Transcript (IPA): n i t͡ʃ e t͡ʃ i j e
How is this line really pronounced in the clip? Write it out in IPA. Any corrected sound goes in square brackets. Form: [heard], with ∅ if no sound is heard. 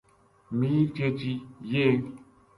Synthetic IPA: [m] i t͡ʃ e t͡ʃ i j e